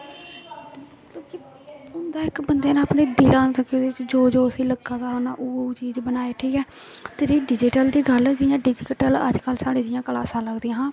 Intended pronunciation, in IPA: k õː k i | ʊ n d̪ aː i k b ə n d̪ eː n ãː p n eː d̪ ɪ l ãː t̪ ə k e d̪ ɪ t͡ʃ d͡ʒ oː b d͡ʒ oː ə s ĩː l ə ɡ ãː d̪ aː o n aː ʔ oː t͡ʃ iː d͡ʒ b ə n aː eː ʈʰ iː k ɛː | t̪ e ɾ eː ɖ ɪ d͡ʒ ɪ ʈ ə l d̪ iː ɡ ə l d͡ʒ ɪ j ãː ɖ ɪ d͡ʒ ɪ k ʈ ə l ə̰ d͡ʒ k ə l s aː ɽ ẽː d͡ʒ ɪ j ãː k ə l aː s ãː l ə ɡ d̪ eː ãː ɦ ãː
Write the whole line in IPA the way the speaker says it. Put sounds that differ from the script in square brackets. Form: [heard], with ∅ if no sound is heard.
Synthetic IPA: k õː k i | ʊ n d̪ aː [ɪ] k b ə n d̪ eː n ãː p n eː d̪ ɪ l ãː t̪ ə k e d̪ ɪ t͡ʃ d͡ʒ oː [∅] d͡ʒ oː ə s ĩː l ə ɡ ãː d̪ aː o n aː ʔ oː t͡ʃ iː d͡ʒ b ə n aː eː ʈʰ iː k ɛː | t̪ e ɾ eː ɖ ɪ d͡ʒ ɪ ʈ ə l d̪ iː ɡ ə l d͡ʒ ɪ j ãː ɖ ɪ d͡ʒ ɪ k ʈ ə l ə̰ d͡ʒ k ə l s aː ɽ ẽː d͡ʒ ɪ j ãː k ə l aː s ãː l ə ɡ d̪ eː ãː ɦ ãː